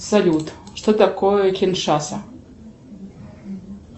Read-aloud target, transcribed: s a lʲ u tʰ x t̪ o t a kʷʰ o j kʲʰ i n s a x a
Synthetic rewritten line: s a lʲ u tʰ ʂ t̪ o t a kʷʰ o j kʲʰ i n ʂ a s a